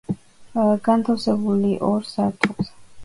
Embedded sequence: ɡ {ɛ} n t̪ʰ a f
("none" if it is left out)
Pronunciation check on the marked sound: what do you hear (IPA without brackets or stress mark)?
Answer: a